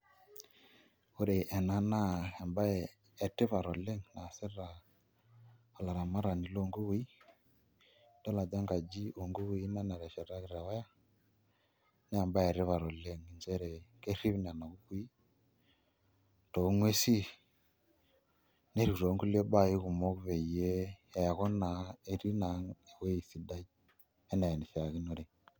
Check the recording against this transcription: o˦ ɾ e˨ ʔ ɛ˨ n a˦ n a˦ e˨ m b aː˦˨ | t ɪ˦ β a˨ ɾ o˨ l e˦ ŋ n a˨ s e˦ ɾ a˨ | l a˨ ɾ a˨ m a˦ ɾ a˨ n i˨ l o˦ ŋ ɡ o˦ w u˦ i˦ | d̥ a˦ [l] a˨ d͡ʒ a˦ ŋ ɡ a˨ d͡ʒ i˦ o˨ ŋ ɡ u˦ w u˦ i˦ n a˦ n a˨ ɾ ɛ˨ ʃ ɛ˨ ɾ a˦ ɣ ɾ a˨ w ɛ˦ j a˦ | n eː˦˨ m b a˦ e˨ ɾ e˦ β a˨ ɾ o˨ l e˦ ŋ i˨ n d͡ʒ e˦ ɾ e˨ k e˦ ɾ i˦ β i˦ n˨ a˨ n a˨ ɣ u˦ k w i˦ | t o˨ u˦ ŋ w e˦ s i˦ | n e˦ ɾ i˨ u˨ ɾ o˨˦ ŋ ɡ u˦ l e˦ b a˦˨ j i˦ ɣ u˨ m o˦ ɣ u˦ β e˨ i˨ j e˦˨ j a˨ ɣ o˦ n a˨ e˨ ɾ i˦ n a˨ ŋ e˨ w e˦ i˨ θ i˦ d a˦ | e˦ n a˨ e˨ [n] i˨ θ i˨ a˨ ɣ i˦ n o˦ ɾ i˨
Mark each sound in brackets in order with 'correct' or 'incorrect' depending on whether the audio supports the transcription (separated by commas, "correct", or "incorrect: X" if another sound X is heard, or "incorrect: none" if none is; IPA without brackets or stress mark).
correct, correct